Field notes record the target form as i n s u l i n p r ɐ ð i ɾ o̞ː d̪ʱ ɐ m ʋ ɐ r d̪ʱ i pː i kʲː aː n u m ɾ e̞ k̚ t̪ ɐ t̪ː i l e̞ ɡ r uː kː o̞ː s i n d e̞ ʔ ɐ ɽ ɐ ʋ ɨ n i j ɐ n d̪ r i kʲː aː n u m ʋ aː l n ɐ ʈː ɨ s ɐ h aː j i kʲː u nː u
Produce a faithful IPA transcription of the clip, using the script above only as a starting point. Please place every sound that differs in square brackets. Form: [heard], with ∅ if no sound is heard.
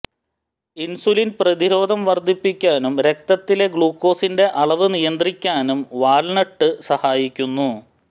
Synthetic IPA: i n s u l i n p r ɐ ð i ɾ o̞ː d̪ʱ ɐ m ʋ ɐ r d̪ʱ i pː i kʲː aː n u m ɾ e̞ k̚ t̪ ɐ t̪ː i l e̞ ɡ [ɭ] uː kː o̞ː s i n d e̞ ʔ ɐ [ɭ] ɐ ʋ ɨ n i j ɐ n d̪ r i kʲː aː n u m ʋ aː l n ɐ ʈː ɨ s ɐ h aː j i kʲː u nː u